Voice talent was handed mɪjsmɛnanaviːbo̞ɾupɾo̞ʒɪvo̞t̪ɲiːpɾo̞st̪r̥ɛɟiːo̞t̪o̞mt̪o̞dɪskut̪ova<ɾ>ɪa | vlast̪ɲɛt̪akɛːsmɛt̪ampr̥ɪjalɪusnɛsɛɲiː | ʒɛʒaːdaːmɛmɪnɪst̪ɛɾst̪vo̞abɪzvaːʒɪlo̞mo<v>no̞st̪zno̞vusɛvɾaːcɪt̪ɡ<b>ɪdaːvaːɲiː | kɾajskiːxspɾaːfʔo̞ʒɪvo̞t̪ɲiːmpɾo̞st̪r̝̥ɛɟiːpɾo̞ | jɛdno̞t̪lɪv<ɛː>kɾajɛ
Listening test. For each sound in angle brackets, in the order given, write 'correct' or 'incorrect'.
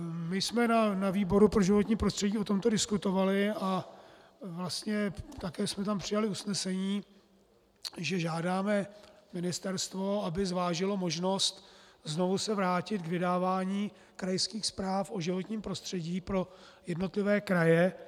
incorrect: l, incorrect: ʒ, incorrect: v, correct

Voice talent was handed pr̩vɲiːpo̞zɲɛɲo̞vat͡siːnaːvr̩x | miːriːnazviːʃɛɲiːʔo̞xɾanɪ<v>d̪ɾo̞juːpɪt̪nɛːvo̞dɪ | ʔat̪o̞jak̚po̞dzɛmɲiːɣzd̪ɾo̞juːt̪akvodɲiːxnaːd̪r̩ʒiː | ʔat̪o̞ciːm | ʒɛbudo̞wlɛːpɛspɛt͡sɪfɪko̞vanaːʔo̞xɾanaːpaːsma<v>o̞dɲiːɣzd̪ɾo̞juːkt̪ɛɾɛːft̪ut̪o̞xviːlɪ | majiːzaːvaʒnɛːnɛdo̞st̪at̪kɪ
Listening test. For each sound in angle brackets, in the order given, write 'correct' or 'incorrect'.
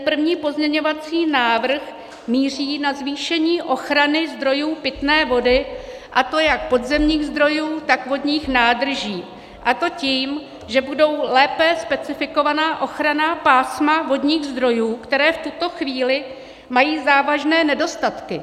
incorrect: z, correct

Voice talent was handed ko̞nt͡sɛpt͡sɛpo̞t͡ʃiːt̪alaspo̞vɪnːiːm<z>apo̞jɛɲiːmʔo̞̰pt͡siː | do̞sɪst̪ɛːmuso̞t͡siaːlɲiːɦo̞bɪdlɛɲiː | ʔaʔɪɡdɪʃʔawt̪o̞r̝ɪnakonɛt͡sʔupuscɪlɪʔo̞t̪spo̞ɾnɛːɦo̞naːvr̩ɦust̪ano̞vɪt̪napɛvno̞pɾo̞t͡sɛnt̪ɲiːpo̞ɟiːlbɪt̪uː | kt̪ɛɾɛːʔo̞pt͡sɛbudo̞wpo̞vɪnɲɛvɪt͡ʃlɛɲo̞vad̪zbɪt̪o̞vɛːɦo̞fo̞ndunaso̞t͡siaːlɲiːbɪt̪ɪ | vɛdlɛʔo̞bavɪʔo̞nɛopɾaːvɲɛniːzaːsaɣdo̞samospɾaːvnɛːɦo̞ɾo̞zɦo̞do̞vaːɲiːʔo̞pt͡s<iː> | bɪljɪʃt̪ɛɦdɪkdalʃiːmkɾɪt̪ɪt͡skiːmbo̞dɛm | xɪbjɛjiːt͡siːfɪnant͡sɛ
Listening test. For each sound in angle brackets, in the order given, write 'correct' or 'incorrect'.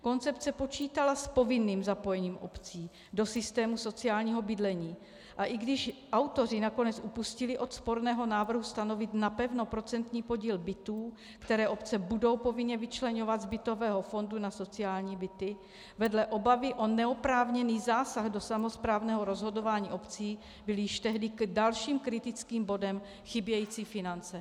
correct, correct

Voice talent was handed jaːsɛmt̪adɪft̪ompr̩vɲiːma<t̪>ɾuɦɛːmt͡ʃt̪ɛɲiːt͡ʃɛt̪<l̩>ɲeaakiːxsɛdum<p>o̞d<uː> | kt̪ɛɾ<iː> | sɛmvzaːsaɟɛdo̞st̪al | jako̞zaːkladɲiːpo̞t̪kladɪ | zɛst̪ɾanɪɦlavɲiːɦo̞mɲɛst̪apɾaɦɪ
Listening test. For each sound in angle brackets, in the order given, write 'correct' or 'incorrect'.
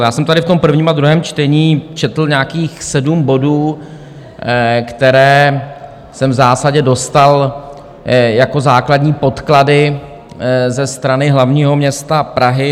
incorrect: d̪, correct, incorrect: b, correct, incorrect: ɛː

